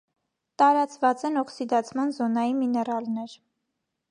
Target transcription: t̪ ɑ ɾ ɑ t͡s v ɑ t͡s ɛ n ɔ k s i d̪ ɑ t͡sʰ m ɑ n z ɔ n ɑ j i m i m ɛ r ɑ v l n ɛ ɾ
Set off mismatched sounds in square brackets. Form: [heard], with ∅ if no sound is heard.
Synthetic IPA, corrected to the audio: t̪ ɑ ɾ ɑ t͡s v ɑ t͡s ɛ n ɔ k s i d̪ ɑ t͡sʰ m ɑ n z ɔ n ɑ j i m i [n] ɛ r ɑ [∅] l n ɛ ɾ